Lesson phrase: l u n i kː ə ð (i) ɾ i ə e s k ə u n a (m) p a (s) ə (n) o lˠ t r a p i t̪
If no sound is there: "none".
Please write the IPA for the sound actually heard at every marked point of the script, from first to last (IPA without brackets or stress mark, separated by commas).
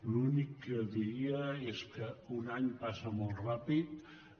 i, ɲ, s, m